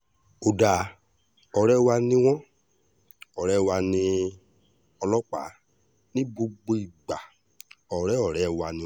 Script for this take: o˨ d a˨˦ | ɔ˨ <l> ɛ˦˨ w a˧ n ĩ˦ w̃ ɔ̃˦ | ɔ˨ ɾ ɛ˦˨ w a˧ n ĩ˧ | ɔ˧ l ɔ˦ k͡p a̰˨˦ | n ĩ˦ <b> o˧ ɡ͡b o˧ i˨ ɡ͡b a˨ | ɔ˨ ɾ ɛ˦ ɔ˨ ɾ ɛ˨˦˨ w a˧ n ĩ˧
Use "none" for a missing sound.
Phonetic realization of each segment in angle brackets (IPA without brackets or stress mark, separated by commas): ɾ, b